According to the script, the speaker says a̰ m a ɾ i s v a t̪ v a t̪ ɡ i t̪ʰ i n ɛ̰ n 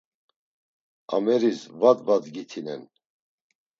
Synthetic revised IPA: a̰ m ɛ ɾ i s v a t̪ v a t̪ ɡ i t̪ʰ i n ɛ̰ n